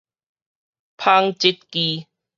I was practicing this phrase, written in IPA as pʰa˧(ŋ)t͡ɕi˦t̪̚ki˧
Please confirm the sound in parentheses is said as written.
yes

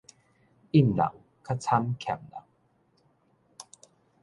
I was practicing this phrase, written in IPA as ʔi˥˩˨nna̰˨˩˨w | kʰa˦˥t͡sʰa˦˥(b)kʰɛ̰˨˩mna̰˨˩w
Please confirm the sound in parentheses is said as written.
no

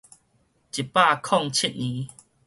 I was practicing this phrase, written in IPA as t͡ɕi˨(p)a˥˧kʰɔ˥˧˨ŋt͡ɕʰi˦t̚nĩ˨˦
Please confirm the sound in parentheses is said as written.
yes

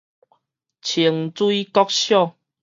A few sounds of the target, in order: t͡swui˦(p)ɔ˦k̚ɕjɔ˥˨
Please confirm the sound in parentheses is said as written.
no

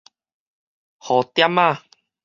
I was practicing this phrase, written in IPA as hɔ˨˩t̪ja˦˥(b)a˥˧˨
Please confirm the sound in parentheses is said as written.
no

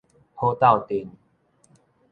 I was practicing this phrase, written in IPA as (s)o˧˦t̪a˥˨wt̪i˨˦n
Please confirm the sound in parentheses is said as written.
no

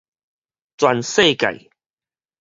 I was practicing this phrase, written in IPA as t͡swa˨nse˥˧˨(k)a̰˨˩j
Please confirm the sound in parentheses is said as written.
yes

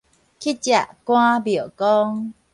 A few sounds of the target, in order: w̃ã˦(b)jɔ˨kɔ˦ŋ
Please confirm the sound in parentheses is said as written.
yes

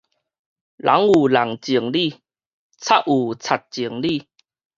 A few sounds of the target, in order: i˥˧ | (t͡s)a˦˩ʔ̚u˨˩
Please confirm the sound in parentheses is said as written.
no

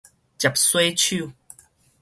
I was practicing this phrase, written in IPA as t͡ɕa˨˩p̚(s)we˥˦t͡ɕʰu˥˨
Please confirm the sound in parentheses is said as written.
yes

